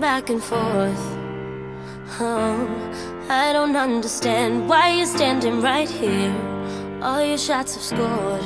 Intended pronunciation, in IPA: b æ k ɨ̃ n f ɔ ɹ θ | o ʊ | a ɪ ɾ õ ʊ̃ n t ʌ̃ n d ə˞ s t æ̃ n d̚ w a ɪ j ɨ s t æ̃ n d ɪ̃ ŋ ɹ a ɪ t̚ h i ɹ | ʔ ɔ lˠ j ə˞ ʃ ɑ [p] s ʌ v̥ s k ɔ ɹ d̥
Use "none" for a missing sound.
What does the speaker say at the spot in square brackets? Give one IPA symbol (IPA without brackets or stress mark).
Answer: t